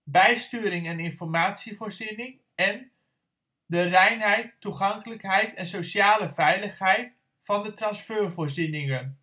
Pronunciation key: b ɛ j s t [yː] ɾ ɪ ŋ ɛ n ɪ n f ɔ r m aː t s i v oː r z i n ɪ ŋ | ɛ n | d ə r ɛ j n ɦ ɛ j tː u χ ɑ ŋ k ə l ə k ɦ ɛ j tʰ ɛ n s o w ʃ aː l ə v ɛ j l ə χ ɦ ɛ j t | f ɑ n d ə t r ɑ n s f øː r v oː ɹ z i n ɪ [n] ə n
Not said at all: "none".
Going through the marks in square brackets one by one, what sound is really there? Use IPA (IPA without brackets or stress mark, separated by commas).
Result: yː, ŋ